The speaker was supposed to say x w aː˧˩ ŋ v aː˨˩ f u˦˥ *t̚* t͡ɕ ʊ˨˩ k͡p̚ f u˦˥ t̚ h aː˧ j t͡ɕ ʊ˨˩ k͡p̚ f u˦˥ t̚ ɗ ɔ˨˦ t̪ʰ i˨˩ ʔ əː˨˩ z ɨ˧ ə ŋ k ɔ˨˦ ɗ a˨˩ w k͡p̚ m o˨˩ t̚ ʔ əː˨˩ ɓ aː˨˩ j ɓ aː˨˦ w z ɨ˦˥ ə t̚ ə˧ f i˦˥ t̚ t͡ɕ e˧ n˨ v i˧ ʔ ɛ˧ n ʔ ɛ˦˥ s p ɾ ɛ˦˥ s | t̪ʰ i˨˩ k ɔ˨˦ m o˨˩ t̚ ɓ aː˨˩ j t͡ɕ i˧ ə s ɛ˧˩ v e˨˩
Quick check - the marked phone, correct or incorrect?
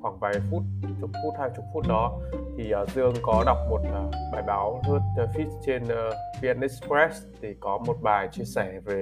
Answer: correct